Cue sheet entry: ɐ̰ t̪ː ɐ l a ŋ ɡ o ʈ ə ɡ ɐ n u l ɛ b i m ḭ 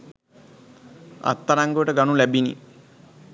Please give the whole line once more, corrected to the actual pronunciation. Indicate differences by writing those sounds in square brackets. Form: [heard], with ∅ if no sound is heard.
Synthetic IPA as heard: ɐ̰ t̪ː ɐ [ɾ] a ŋ ɡ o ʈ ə ɡ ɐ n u l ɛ b i [n] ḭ